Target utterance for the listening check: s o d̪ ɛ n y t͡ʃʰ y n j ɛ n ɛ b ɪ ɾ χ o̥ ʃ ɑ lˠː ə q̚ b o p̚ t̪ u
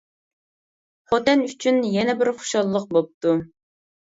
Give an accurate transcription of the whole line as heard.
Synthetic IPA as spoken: χ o t̪ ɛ n y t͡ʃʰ y n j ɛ n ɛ b ɪ ɾ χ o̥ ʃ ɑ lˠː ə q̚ b o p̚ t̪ u